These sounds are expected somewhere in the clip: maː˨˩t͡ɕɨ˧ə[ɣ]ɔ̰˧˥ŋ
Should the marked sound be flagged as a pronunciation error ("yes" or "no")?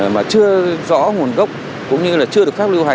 yes